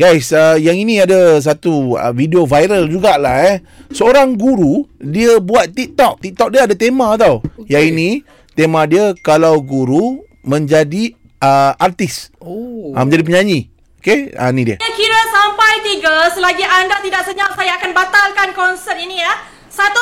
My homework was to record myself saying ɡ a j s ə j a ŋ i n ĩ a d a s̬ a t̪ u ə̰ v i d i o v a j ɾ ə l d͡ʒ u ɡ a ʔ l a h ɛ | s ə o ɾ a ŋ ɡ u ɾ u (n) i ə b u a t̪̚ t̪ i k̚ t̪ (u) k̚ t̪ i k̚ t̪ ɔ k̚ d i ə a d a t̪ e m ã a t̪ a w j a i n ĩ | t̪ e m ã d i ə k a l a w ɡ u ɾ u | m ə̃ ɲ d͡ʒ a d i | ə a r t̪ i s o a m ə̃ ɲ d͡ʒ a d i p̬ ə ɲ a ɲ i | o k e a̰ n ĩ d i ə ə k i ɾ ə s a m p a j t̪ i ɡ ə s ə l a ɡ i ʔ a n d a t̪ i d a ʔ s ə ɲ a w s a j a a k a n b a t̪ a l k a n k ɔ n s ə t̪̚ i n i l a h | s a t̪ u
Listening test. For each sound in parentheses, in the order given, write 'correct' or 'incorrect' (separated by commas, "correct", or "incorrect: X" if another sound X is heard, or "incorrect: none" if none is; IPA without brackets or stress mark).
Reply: incorrect: d, incorrect: ɔ